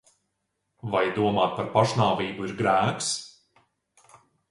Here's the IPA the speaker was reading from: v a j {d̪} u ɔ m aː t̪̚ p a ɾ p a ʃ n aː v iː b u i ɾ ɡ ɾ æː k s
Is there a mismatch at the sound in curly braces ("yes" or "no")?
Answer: no